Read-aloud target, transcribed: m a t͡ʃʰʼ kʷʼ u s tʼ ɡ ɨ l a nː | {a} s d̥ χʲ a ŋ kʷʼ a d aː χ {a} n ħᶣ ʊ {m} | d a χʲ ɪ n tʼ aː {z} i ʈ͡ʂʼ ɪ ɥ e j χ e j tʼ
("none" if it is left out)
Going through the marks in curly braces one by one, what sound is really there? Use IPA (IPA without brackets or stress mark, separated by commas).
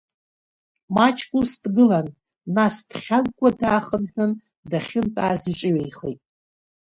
a, ə, n, z